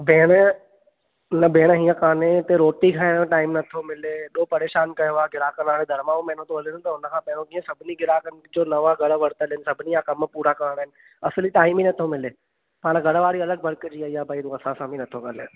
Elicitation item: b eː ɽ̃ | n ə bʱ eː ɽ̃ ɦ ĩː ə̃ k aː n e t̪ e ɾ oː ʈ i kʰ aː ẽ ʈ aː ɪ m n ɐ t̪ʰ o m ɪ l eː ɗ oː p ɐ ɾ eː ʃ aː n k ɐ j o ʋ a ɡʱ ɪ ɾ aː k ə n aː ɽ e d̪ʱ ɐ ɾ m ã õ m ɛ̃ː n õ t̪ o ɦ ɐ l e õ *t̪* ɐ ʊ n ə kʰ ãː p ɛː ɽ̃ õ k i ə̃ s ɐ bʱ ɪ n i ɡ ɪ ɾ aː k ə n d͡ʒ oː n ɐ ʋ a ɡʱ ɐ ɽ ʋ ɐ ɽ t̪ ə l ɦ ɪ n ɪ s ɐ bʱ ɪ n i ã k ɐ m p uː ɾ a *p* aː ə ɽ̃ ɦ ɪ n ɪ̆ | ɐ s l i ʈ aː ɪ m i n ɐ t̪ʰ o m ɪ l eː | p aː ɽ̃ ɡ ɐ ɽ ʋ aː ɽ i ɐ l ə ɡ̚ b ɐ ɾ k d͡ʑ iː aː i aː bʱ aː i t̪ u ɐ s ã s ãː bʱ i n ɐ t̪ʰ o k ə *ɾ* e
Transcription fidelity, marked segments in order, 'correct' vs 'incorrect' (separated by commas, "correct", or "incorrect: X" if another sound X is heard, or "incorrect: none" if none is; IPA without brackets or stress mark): correct, incorrect: k, incorrect: l